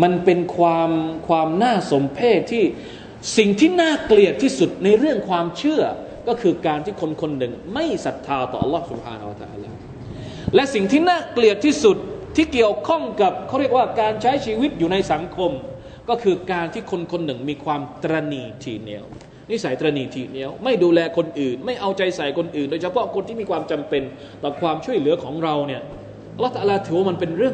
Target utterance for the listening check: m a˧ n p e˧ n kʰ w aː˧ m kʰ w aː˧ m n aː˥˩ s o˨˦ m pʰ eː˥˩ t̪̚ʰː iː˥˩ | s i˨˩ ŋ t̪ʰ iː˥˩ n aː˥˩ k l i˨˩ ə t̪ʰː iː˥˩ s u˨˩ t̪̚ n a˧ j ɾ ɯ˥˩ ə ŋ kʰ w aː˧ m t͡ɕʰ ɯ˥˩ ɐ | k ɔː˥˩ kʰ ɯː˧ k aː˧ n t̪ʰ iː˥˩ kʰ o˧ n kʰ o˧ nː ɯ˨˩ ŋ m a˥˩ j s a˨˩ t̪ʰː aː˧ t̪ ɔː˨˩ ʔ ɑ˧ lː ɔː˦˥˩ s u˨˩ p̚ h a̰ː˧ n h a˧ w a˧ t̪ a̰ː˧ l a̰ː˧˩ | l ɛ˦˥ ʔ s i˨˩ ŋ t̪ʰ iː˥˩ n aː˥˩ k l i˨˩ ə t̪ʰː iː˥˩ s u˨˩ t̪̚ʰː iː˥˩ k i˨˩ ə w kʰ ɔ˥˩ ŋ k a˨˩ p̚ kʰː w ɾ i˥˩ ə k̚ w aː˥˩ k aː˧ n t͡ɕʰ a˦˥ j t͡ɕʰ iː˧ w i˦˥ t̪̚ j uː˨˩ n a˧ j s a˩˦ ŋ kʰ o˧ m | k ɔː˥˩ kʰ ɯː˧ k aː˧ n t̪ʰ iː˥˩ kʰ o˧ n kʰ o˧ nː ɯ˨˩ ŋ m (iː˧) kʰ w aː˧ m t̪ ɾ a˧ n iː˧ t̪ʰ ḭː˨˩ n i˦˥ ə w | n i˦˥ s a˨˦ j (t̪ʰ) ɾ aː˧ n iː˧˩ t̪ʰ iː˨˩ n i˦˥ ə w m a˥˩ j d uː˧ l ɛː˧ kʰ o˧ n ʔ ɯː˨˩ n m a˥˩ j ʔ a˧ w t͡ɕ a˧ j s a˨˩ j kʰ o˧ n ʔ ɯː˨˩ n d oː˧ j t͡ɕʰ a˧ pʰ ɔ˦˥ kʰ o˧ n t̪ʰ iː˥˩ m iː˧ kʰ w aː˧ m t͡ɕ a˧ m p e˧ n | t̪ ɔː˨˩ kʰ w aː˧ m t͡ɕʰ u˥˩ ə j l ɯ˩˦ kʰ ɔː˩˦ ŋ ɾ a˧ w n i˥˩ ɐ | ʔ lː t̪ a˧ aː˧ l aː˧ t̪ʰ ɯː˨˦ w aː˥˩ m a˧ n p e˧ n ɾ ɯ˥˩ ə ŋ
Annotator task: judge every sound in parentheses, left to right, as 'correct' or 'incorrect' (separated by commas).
correct, incorrect